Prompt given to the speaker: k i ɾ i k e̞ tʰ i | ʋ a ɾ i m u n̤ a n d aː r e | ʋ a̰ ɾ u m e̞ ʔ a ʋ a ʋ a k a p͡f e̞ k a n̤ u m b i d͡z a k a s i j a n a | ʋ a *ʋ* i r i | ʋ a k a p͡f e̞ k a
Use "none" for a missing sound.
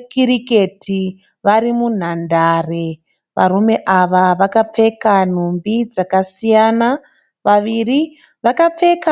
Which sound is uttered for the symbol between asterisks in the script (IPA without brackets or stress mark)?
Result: ʋ